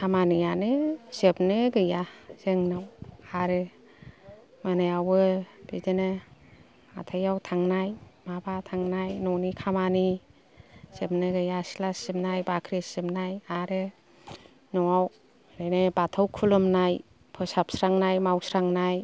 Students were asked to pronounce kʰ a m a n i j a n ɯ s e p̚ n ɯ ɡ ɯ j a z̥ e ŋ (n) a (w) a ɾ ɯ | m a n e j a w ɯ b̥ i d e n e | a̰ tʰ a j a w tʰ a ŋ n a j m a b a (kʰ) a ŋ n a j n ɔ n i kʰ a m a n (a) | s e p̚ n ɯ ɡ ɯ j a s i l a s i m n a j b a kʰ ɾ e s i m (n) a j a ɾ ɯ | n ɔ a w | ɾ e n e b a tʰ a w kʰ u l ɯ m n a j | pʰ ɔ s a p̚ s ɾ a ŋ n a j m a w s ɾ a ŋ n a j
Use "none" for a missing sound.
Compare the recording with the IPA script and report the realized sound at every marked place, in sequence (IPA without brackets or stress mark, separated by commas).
n, w, tʰ, i, n